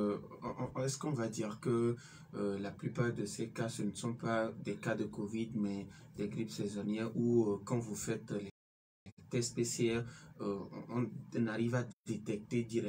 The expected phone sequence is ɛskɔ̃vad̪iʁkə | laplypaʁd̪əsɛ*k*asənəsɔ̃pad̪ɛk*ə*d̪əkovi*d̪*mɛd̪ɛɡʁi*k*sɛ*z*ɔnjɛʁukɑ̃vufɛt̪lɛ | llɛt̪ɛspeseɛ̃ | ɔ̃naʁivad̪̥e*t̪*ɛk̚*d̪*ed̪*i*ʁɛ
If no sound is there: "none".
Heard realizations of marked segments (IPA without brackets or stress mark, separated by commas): k, a, d̪, p, z, t̪, t̪, i